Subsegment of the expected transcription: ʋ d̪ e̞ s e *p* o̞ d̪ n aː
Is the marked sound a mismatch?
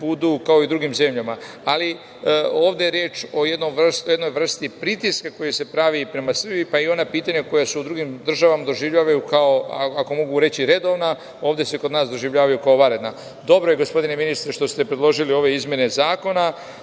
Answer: yes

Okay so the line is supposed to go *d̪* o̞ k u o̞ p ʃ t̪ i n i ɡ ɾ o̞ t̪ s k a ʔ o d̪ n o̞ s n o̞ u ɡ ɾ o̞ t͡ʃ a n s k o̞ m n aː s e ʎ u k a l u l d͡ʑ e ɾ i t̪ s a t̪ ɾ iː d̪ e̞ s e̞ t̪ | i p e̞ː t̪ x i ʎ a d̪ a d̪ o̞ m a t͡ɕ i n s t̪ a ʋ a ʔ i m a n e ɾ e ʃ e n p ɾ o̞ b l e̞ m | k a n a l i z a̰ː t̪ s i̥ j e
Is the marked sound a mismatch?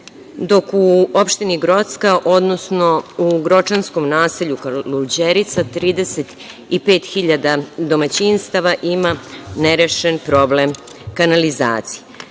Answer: no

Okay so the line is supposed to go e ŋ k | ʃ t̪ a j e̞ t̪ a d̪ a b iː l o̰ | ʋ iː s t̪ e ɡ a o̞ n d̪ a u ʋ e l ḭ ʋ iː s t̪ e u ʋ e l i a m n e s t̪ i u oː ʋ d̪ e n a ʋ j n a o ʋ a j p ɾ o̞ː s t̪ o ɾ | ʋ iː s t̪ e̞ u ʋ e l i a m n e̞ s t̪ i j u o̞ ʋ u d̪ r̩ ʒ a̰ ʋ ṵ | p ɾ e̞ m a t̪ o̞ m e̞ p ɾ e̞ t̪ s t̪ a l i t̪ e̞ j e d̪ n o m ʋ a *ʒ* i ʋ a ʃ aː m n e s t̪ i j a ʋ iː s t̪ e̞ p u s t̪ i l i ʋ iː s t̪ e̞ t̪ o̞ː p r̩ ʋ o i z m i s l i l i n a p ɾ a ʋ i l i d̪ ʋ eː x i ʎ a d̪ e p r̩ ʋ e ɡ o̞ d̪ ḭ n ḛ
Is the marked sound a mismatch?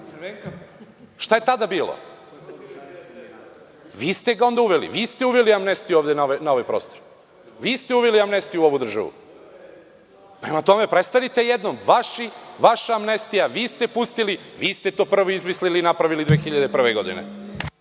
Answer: yes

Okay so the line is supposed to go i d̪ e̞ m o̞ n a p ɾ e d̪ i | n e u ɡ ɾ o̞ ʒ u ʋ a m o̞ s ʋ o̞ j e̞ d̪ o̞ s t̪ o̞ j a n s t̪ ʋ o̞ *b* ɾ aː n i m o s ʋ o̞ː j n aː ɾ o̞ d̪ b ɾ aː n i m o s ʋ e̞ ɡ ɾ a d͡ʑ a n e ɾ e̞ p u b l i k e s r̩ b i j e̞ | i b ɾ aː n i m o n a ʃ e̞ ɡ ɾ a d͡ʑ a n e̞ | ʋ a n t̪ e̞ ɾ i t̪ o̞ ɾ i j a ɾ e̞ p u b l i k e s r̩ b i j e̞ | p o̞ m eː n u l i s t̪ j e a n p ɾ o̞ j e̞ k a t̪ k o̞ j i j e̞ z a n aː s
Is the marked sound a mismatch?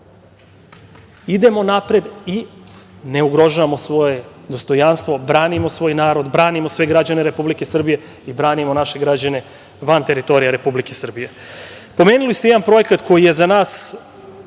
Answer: no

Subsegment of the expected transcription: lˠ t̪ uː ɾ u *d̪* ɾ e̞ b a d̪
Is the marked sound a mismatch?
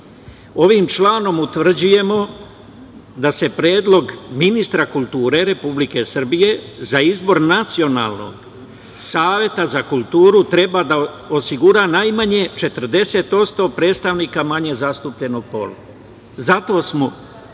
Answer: yes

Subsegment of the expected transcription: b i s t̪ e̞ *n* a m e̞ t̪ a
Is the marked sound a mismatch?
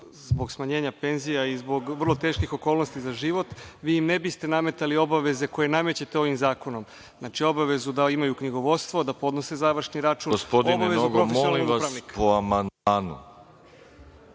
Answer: no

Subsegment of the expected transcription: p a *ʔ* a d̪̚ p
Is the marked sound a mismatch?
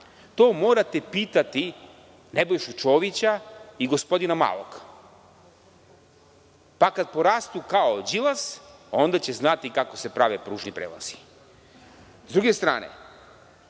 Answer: yes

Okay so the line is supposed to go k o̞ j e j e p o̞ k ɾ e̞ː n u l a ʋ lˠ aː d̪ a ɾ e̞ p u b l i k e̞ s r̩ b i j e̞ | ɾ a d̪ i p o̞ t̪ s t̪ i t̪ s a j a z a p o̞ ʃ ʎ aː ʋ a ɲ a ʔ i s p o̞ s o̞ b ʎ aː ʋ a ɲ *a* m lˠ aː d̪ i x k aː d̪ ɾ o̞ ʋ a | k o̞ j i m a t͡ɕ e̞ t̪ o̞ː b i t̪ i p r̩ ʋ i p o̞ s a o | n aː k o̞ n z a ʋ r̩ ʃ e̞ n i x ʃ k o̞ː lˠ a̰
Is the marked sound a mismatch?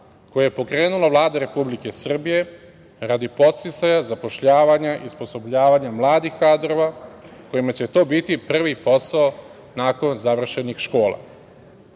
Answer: no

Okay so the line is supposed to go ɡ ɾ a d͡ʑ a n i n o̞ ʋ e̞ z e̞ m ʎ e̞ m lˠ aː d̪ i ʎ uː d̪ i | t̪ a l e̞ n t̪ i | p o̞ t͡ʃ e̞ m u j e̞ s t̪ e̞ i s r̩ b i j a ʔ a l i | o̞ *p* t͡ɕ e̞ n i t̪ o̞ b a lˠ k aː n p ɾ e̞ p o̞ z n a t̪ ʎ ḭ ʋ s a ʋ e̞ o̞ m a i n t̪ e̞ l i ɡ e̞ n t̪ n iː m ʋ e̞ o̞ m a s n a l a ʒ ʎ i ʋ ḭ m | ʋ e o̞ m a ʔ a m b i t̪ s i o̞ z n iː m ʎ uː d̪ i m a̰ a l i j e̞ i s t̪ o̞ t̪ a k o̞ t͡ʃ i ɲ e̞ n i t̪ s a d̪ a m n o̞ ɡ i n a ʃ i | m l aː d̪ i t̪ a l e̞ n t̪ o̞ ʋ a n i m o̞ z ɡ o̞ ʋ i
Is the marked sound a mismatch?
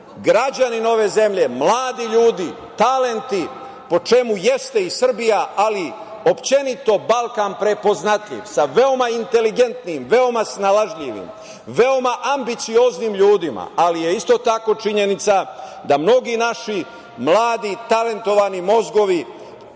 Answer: no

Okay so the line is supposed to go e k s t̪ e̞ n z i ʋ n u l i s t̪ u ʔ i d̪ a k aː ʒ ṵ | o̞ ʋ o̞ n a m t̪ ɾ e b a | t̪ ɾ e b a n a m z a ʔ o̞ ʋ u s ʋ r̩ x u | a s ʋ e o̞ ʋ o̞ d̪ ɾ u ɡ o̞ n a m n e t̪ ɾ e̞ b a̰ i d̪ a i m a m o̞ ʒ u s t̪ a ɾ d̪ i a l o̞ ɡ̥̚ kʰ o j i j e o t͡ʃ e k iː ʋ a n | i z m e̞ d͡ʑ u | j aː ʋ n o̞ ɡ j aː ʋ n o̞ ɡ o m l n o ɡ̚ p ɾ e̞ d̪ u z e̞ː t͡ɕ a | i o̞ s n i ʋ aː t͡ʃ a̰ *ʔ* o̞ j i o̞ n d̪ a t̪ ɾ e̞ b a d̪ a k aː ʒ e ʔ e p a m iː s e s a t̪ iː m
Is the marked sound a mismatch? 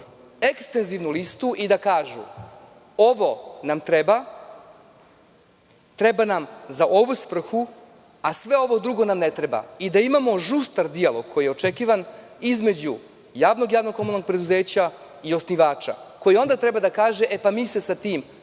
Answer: yes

